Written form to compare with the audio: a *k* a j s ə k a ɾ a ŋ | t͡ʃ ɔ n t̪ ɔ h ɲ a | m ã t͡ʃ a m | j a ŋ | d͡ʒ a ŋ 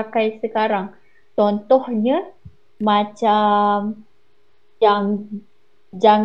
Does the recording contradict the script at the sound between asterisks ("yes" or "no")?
no